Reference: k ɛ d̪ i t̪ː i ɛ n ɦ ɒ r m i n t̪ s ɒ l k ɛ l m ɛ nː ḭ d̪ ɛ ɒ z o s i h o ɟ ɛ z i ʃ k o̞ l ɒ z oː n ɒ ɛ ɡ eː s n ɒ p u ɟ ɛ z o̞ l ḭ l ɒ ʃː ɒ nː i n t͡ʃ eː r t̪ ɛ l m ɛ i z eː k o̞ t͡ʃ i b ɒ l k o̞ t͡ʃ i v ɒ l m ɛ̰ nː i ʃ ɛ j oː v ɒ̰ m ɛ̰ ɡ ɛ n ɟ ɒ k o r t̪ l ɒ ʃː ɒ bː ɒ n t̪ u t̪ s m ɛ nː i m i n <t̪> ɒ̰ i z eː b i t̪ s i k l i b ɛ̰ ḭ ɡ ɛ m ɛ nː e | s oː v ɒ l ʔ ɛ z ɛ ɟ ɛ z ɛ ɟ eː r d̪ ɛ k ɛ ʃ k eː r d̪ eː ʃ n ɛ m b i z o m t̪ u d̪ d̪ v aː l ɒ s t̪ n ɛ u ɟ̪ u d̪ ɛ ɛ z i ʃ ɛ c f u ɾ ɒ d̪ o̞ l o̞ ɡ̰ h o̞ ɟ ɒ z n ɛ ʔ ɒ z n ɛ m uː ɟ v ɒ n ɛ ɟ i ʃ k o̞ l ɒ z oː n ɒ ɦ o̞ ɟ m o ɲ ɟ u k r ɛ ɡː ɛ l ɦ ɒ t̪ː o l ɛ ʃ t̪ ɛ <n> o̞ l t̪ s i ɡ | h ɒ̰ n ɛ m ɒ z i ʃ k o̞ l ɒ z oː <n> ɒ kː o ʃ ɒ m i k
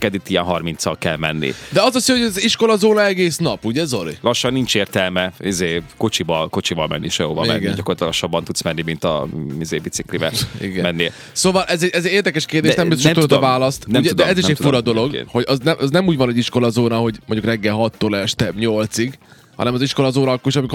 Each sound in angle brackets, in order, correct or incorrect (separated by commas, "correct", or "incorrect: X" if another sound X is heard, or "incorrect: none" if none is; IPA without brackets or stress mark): correct, incorrect: ɲ, correct